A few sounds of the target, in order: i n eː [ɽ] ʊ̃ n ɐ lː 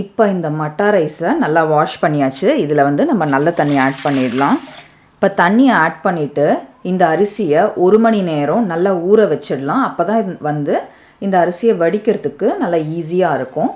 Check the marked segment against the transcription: incorrect: ɾ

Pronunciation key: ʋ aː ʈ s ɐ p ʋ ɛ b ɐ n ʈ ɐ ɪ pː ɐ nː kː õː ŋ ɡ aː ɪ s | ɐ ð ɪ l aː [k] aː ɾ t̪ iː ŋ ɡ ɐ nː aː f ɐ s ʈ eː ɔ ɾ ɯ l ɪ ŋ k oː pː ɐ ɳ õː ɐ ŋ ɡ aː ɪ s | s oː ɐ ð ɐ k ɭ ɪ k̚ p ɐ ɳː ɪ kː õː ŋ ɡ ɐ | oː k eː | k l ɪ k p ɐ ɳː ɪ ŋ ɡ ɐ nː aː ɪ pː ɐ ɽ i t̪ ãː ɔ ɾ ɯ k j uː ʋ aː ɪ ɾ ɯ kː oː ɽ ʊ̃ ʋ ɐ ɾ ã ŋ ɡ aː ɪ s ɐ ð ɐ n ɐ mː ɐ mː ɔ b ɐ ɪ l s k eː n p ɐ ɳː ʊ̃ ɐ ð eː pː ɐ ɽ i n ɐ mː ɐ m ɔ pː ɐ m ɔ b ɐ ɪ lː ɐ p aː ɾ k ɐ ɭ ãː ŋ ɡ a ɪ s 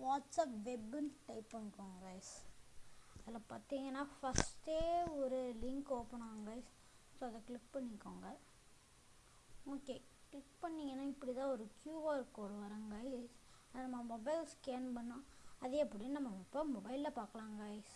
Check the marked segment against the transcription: incorrect: p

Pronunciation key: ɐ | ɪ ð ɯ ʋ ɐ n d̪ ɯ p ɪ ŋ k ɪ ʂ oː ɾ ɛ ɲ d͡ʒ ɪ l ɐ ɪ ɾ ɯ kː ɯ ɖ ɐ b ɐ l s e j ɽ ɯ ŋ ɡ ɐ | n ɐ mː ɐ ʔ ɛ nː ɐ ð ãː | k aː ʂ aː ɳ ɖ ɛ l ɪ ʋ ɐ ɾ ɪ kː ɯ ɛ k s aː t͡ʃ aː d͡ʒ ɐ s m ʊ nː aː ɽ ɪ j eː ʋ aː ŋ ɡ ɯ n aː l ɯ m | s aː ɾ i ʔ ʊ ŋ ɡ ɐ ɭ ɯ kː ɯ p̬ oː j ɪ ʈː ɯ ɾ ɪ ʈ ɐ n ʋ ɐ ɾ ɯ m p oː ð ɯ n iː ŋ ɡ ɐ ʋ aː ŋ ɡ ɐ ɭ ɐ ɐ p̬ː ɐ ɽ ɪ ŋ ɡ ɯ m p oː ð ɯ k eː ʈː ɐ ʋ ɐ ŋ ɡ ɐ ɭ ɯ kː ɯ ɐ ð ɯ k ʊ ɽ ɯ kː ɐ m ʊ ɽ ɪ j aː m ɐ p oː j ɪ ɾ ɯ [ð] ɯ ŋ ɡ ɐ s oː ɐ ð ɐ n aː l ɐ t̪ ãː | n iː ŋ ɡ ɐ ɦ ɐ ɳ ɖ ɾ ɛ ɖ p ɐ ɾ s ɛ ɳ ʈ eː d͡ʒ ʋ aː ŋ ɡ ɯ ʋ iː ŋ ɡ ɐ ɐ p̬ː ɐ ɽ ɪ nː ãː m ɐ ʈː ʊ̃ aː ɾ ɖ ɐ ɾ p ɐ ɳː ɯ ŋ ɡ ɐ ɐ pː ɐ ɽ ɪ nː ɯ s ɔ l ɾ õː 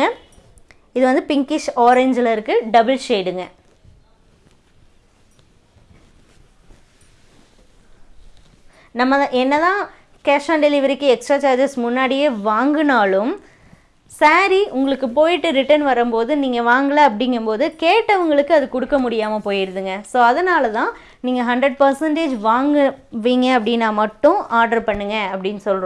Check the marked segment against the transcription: correct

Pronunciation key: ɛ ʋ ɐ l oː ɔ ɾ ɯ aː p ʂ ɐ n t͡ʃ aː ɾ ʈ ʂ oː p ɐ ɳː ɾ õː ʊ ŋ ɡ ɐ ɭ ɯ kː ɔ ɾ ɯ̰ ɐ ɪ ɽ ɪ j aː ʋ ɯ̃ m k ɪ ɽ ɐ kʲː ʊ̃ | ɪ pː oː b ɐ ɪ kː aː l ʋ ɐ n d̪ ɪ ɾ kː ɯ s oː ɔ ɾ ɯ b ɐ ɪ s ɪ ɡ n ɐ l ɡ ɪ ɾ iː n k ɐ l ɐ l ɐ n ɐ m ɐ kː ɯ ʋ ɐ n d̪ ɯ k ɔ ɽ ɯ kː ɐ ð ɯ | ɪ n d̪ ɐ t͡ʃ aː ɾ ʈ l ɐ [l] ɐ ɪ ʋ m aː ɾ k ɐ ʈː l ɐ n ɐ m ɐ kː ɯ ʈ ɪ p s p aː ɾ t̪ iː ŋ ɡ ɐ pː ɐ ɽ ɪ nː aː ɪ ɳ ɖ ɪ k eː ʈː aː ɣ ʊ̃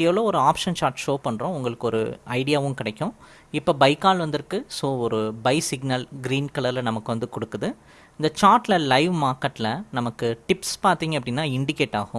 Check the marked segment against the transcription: correct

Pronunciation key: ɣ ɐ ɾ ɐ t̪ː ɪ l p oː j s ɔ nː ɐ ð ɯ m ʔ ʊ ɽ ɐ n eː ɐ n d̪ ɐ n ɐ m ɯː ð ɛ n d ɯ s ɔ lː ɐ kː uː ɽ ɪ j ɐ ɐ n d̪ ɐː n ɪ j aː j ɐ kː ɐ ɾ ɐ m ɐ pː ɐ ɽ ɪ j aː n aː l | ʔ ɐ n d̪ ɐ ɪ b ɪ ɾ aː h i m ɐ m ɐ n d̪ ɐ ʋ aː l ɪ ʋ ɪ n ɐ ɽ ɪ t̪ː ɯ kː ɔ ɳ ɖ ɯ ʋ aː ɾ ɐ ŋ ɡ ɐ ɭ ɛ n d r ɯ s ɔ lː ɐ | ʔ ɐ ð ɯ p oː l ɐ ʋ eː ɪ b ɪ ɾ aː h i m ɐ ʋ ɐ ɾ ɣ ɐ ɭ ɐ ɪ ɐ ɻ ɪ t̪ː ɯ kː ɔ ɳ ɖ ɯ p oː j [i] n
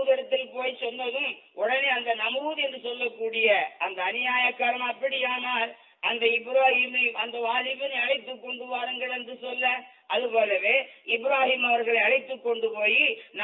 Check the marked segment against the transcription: correct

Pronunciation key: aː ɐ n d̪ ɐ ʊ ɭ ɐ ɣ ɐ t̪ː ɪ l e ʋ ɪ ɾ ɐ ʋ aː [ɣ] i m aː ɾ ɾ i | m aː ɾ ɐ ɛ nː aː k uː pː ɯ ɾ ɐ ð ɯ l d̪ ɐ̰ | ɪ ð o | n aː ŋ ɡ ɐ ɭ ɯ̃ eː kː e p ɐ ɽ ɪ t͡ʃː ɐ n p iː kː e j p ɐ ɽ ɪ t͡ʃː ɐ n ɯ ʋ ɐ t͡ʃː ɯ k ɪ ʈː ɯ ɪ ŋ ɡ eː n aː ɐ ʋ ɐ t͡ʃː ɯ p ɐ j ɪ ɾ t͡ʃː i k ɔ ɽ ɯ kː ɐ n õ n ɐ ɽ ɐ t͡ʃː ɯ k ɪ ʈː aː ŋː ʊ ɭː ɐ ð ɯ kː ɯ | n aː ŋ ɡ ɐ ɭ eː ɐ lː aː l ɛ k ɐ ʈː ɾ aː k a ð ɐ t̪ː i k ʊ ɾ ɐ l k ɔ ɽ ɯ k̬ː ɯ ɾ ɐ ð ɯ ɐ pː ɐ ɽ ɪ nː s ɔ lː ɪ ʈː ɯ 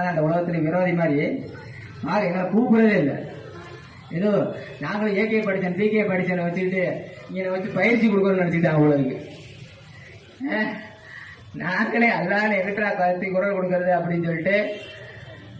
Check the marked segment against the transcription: incorrect: ð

